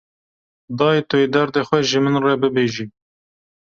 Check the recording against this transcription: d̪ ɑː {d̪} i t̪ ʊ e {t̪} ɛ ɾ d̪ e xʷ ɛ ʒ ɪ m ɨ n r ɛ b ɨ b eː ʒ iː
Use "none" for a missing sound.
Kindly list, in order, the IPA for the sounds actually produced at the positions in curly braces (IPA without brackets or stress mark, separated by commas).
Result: none, d̪